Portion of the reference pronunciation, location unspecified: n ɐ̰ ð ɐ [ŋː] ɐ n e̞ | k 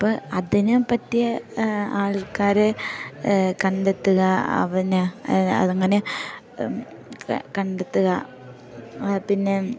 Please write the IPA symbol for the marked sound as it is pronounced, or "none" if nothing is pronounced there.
ŋː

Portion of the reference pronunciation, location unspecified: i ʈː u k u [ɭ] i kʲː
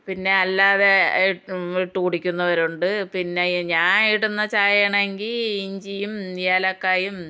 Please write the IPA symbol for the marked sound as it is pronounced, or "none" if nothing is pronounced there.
ɽ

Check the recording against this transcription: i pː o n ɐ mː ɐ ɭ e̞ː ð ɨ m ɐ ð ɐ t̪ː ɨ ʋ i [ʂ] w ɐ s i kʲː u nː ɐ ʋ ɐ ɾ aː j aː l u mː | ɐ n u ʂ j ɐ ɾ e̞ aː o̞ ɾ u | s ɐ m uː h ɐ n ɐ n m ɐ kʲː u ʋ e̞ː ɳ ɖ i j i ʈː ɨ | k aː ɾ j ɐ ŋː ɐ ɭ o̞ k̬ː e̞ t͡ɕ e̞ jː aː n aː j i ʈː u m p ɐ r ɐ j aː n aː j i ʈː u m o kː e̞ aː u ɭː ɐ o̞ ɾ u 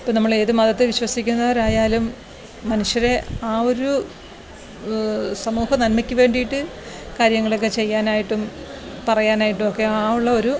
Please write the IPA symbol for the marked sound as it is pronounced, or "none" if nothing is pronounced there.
ɕ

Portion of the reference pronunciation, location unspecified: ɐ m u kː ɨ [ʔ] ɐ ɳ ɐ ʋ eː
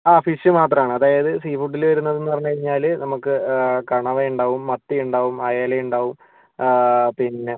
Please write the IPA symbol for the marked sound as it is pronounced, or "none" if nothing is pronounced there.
k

